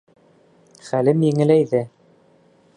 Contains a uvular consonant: yes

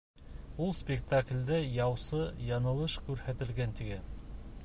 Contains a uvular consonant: no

